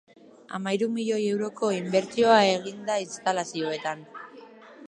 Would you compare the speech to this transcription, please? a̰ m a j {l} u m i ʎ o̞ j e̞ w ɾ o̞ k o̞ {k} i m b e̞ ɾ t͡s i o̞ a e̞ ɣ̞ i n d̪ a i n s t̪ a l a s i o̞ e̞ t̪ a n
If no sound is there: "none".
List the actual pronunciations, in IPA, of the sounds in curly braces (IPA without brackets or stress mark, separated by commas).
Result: ɾ, none